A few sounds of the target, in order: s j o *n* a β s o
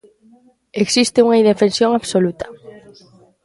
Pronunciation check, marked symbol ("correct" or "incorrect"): incorrect